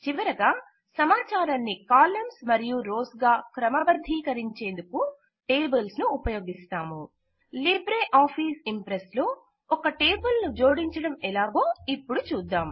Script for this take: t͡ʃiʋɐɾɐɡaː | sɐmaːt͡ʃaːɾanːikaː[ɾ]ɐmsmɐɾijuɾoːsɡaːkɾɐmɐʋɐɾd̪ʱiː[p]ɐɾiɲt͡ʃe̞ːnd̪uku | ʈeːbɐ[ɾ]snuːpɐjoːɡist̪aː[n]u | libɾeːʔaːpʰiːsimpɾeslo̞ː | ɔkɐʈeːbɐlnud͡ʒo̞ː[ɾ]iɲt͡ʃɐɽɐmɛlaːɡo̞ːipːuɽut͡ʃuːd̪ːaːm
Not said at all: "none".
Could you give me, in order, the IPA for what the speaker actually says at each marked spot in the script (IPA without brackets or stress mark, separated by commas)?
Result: l, k, l, m, ɽ